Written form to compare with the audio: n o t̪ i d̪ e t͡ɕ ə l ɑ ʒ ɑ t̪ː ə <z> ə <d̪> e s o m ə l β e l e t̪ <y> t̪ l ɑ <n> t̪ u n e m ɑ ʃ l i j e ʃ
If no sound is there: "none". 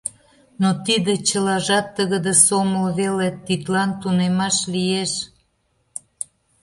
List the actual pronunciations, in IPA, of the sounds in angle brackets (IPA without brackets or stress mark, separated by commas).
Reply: ɣ, d̪, i, n